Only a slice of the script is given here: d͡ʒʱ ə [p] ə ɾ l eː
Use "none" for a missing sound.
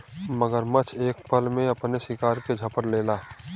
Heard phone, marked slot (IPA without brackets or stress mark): p